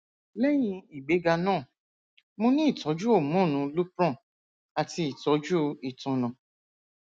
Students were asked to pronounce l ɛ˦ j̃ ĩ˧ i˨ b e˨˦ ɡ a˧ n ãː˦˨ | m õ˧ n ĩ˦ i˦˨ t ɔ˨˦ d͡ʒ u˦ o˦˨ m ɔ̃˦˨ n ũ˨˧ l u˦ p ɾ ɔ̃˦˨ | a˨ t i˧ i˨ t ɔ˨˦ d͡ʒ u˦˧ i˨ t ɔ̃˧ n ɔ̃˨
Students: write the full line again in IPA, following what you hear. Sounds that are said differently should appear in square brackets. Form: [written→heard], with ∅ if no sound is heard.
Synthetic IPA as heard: l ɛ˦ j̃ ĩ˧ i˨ [b→ɡ͡b] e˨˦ ɡ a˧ n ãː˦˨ | m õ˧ n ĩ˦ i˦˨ t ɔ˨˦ d͡ʒ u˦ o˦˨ m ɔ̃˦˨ n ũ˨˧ l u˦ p ɾ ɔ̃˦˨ | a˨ t i˧ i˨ t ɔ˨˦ d͡ʒ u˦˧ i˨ t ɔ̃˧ n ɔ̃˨

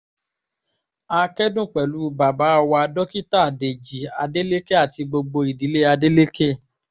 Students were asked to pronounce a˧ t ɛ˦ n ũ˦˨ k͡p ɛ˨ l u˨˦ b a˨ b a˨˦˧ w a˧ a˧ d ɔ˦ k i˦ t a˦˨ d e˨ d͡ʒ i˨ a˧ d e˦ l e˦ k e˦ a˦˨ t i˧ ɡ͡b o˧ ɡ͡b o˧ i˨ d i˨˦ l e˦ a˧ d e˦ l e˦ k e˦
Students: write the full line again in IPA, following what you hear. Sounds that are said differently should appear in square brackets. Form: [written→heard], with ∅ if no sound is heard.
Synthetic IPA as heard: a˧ [t→k] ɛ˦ [n→d] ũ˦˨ k͡p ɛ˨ l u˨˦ b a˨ b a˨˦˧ w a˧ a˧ d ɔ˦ k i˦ t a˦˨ d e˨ d͡ʒ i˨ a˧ d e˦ l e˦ k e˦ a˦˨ t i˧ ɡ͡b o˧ ɡ͡b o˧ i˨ d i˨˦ l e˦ a˧ d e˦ l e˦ k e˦

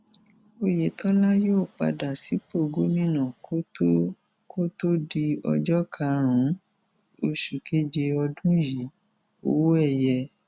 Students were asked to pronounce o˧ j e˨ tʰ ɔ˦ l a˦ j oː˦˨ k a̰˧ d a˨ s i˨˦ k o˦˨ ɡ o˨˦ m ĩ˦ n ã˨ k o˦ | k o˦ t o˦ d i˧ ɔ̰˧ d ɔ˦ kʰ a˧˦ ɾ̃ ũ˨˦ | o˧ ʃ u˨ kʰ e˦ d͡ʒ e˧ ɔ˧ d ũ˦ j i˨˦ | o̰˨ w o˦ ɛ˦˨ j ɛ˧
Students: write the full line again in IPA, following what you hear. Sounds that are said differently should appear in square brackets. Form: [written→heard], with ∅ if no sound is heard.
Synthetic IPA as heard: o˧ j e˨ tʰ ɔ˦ l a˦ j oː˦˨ [k→k͡p] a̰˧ d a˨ s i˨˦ [k→p] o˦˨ ɡ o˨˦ m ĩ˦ n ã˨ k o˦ | k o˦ t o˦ d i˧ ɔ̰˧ [d→d͡ʒ] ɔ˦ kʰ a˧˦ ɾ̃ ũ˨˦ | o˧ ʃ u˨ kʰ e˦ d͡ʒ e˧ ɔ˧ d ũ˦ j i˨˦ | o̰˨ w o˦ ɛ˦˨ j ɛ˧

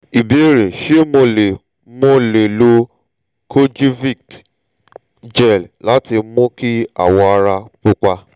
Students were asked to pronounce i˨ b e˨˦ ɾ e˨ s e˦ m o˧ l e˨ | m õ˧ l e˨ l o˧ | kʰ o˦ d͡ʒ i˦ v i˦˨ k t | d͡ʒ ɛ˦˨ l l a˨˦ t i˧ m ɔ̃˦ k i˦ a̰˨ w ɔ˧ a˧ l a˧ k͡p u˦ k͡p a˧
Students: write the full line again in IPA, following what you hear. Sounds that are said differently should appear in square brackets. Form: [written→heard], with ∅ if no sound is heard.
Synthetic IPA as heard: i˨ b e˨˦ ɾ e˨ [s→ʃ] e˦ m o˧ l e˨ | m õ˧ l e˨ l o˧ | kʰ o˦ d͡ʒ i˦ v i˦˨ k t | d͡ʒ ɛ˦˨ l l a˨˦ t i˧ m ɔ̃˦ k i˦ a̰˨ w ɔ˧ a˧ [l→ɾ] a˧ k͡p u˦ k͡p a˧

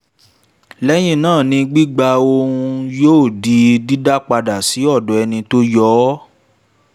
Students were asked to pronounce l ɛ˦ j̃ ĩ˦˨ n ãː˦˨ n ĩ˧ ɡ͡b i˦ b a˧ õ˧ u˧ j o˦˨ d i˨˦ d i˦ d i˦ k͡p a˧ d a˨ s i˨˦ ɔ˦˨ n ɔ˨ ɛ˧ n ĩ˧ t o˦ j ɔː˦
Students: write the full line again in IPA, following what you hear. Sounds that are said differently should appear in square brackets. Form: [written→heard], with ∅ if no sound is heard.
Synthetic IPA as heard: l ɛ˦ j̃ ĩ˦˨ n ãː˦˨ n ĩ˧ ɡ͡b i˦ [b→ɡ͡b] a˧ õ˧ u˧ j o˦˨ d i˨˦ d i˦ d [i˦→a˦] k͡p a˧ d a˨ s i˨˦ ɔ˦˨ [n→d] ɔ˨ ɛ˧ n ĩ˧ t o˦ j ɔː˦

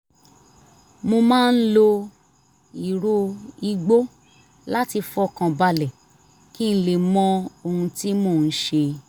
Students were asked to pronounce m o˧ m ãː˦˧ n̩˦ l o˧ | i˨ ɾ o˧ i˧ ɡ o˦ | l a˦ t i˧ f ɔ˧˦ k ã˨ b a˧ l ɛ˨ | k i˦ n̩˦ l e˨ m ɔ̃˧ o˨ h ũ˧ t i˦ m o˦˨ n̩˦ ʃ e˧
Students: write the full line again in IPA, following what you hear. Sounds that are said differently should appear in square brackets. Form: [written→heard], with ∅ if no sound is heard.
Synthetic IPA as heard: m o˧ m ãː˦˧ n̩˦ l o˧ | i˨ ɾ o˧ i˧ [ɡ→ɡ͡b] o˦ | l a˦ t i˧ f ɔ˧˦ k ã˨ b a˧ l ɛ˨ | k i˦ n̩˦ l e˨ m ɔ̃˧ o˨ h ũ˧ t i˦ m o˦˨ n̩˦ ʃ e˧

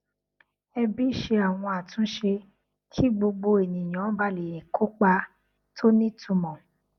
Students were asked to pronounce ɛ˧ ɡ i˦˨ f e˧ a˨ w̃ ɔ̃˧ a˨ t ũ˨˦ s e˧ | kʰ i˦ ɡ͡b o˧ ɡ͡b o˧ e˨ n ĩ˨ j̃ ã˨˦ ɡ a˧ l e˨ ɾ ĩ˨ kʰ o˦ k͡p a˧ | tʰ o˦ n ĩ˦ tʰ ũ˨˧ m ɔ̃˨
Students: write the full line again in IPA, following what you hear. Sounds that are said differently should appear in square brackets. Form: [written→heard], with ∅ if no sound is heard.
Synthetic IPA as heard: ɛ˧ [ɡ→b] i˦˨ [f→ʃ] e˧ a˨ w̃ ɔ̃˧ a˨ t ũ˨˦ [s→ʃ] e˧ | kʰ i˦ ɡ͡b o˧ ɡ͡b o˧ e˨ n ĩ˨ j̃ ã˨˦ [ɡ→b] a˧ l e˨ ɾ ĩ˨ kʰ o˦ k͡p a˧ | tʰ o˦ n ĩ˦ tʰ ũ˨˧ m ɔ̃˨

